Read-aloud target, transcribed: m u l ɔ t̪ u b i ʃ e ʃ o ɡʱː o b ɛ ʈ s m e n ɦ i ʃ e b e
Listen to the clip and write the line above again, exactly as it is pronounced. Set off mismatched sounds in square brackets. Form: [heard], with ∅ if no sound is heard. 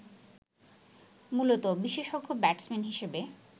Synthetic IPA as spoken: m u l [o] t̪ [o] b i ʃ e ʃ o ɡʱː o b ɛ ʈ s m e n ɦ i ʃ e b e